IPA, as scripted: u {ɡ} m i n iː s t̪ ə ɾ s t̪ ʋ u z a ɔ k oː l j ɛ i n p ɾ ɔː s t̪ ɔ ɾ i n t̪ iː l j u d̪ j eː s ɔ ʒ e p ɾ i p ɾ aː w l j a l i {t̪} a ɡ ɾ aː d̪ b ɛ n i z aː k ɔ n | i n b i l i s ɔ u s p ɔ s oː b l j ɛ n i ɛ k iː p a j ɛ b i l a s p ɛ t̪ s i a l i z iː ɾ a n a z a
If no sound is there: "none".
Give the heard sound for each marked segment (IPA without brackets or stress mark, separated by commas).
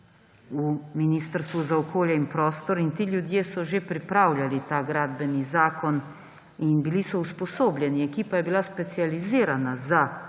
none, t̪